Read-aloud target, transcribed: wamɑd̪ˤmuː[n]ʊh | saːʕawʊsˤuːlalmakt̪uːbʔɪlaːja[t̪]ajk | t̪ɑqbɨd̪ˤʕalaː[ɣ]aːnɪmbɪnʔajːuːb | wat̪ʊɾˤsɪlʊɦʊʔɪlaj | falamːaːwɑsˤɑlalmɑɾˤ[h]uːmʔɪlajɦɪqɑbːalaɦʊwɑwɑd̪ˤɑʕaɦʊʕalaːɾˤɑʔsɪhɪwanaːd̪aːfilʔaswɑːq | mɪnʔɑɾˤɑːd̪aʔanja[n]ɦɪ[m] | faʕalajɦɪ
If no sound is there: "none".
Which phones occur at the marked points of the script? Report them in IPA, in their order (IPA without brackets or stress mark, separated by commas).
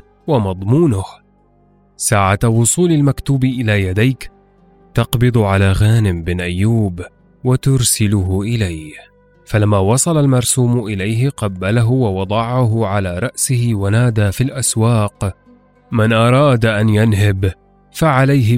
n, d̪, ɣ, s, n, b